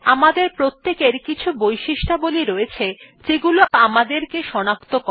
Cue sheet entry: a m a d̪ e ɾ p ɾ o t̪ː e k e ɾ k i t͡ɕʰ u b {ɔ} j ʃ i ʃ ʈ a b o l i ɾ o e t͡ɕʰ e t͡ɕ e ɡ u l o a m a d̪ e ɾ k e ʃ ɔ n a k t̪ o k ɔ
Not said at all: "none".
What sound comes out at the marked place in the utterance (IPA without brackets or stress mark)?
o